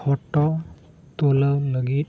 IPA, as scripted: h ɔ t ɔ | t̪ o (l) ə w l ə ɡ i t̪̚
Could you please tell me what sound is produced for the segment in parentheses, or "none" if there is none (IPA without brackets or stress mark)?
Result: l